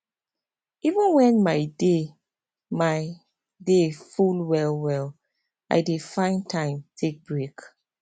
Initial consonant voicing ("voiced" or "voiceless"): voiced